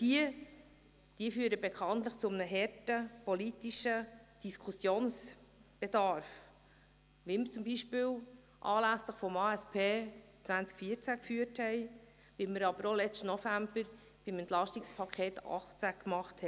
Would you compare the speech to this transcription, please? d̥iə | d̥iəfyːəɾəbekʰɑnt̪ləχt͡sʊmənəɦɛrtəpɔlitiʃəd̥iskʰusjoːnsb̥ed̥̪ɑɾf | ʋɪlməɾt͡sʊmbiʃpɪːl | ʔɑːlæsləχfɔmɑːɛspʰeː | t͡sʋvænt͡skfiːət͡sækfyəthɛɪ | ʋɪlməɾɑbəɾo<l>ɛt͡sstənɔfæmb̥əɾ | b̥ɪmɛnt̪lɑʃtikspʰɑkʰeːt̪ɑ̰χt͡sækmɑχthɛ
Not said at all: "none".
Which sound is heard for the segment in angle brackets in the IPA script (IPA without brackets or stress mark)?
l